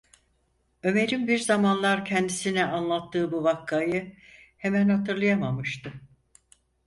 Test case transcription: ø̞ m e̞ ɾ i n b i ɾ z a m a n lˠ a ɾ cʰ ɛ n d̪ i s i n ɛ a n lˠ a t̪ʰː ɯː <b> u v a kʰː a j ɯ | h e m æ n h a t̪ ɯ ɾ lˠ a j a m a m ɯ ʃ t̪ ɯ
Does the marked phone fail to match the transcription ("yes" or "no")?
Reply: no